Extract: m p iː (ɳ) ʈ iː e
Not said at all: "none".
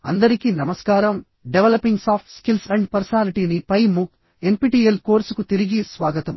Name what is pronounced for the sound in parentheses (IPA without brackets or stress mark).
none